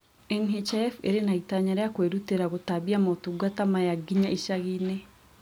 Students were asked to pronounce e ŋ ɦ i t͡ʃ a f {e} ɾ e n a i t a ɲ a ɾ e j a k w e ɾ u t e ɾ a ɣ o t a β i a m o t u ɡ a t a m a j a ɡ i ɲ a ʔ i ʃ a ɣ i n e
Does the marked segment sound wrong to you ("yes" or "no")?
no